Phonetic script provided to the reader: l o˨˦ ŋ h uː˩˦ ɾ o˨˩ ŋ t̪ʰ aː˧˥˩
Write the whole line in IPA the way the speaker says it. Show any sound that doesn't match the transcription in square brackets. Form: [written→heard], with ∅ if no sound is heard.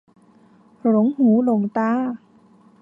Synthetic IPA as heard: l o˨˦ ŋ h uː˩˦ [ɾ→l] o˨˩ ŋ [t̪ʰ→t̪] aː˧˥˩